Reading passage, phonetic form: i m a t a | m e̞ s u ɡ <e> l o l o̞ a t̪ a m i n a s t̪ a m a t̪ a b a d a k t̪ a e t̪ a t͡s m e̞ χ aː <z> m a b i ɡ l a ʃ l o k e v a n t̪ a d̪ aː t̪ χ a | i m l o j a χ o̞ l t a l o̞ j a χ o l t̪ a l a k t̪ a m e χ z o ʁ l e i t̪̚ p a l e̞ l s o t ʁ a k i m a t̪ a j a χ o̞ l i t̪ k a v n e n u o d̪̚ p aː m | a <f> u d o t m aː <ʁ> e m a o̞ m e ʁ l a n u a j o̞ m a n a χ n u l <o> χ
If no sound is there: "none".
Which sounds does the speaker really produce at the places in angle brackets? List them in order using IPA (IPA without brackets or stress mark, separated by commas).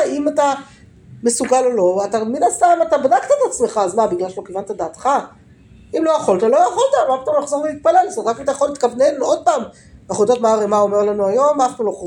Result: a, z, χ, ʁ, o